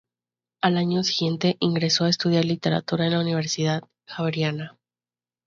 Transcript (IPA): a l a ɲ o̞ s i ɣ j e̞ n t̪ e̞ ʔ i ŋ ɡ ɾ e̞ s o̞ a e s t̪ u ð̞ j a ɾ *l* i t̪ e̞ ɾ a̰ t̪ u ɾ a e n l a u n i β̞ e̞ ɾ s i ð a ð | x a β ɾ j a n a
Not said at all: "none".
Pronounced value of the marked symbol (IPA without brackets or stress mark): l